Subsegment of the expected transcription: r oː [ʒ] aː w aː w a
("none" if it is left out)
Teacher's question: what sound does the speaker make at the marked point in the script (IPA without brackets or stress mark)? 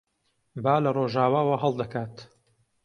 ʒ